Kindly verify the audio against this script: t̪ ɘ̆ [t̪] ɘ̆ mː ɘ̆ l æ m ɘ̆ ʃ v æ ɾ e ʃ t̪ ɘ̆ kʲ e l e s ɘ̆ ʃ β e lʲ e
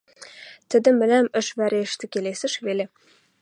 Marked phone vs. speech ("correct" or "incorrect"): incorrect